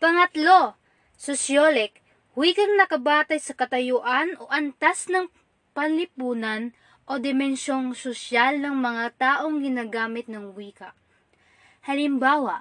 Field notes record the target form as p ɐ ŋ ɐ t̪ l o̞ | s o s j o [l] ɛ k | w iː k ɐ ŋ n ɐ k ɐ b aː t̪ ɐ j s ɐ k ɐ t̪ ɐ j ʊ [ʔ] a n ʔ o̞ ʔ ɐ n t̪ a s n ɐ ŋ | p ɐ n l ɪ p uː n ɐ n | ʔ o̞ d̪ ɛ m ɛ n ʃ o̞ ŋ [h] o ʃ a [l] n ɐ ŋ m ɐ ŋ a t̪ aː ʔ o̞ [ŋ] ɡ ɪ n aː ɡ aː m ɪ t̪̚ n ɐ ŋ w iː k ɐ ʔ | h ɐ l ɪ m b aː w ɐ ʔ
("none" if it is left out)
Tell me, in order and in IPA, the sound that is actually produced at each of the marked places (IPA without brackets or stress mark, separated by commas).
l, ʔ, s, l, ŋ